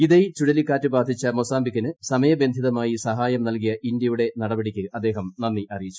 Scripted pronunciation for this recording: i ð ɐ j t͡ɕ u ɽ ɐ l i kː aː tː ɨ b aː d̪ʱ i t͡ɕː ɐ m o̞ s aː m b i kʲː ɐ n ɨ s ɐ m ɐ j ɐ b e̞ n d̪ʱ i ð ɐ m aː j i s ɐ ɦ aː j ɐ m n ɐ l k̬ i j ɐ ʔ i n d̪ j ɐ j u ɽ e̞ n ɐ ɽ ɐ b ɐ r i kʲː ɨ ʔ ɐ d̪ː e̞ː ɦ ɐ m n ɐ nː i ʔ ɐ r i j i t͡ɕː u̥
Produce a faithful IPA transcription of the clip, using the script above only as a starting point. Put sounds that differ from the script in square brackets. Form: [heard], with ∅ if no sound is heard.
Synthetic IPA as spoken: i ð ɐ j t͡ɕ u ɽ ɐ l i kː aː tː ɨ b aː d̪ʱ i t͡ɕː ɐ m o̞ s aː m b i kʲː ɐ n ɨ s ɐ m ɐ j ɐ b e̞ n d̪ʱ i ð ɐ m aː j i s ɐ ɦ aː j ɐ m n ɐ l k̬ i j ɐ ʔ i n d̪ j ɐ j u ɽ e̞ n ɐ ɽ ɐ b ɐ [ɽ] i kʲː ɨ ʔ ɐ d̪ː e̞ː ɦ ɐ m n ɐ nː i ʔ ɐ r i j i t͡ɕː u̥

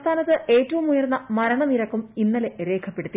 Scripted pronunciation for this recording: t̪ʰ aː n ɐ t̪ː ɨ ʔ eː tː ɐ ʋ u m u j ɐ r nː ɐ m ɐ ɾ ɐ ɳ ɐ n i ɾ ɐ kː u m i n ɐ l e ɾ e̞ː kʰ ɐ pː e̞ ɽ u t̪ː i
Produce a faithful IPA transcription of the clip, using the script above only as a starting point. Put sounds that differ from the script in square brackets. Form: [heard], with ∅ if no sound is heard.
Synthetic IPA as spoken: t̪ʰ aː n ɐ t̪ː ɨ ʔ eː tː ɐ ʋ u m u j ɐ r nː ɐ m ɐ ɾ ɐ ɳ ɐ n i ɾ ɐ kː u m i [nː] ɐ l e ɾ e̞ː kʰ ɐ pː e̞ ɽ u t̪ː i

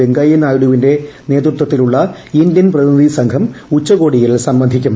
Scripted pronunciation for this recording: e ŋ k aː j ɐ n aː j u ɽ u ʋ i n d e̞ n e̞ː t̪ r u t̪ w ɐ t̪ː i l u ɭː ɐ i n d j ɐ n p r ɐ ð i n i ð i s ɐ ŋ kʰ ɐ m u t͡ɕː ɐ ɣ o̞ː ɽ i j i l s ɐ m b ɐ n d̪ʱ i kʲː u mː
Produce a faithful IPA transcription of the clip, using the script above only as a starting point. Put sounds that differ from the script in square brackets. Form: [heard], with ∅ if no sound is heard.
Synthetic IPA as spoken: e ŋ [ɡ] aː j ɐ n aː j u ɽ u ʋ i n d e̞ n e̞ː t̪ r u t̪ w ɐ t̪ː i l u ɭː ɐ i n d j ɐ n p r ɐ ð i n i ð i s ɐ ŋ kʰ ɐ m u t͡ɕː ɐ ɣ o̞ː ɽ i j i l s ɐ m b ɐ n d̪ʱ i kʲː u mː

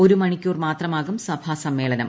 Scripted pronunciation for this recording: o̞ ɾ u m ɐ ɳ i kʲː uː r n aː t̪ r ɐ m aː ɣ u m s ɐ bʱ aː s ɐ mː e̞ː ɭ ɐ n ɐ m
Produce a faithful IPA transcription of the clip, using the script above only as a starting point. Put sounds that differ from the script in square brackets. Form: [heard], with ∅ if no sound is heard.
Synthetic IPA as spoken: o̞ ɾ u m ɐ ɳ i kʲː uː r [m] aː t̪ r ɐ m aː ɣ u m s ɐ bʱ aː s ɐ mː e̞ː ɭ ɐ n ɐ m

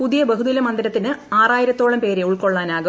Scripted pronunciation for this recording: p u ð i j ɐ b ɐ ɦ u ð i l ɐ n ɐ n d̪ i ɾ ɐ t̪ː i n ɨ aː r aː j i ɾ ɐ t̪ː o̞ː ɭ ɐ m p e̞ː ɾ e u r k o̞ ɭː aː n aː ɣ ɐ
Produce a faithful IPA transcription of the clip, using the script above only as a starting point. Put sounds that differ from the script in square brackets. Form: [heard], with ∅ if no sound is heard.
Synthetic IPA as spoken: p u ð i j ɐ b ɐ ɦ u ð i l ɐ [m] ɐ n d̪ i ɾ ɐ t̪ː i n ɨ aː r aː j i ɾ ɐ t̪ː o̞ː ɭ ɐ m p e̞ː ɾ e u [ɭ] k o̞ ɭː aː n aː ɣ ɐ

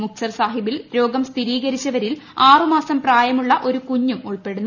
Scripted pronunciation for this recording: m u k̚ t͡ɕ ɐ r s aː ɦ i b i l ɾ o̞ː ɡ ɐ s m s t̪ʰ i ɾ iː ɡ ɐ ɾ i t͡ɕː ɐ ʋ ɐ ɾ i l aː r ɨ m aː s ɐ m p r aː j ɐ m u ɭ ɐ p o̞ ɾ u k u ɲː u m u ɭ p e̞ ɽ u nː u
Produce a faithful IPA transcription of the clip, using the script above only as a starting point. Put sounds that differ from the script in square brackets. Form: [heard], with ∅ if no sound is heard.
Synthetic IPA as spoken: m u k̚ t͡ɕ ɐ r s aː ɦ i b i l ɾ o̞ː ɡ ɐ [∅] m s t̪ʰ i ɾ iː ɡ ɐ ɾ i t͡ɕː ɐ ʋ ɐ ɾ i l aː r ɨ m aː s ɐ m p r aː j ɐ m u [ɭː] ɐ [ʔ] o̞ ɾ u k u ɲː u m u ɭ p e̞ ɽ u nː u

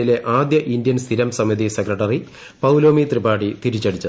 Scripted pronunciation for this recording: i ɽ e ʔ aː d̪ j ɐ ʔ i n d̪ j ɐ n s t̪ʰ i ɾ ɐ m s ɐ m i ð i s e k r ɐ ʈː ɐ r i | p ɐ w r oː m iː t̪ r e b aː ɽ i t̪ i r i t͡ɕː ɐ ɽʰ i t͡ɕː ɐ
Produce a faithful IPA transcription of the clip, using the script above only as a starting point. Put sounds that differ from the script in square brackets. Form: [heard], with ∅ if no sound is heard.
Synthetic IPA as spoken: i [l] e ʔ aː d̪ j ɐ ʔ i n d̪ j ɐ n s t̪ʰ i ɾ ɐ m s ɐ m i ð i s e k r ɐ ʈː ɐ r i | p ɐ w [l] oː m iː t̪ r [i] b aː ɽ i t̪ i [ɾ] i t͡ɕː ɐ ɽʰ i t͡ɕː ɐ

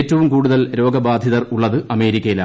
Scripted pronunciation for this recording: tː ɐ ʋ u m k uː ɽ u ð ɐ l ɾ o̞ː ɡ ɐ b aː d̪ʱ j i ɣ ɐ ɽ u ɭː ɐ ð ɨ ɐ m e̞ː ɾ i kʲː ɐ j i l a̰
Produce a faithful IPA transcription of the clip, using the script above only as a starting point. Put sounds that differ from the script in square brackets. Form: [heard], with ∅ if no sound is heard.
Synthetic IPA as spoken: tː ɐ ʋ u m k uː ɽ u ð ɐ l ɾ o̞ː ɡ ɐ b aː d̪ʱ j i [ð] ɐ [r] u ɭː ɐ ð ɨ ɐ m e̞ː ɾ i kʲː ɐ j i l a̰

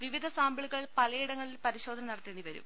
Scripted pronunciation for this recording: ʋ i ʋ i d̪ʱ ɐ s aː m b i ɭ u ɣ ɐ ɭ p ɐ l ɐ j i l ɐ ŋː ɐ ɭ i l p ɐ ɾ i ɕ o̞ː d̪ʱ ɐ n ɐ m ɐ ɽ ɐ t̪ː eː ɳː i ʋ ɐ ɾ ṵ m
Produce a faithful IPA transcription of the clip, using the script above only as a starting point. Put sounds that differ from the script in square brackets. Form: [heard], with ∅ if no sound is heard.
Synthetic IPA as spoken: ʋ i ʋ i d̪ʱ ɐ s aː m b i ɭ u ɣ ɐ ɭ p ɐ l ɐ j i [ɽ] ɐ ŋː ɐ ɭ i l p ɐ ɾ i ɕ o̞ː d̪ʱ ɐ n ɐ [n] ɐ ɽ ɐ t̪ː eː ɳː i ʋ ɐ ɾ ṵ m

